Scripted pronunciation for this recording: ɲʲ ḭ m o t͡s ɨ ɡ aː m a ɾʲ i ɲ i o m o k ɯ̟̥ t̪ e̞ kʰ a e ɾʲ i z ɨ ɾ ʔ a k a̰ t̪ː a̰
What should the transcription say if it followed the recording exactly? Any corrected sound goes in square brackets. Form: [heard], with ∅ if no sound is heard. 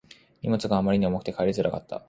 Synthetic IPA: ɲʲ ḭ m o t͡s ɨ ɡ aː m a ɾʲ i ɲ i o m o k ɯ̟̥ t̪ e̞ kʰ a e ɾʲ i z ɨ ɾ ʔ a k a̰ t̪ː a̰